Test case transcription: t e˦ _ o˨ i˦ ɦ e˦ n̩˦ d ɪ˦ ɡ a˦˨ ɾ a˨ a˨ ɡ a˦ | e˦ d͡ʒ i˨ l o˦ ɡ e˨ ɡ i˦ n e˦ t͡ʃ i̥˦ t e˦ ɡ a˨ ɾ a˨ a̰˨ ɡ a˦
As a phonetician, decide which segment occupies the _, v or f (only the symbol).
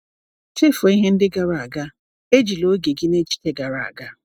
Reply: f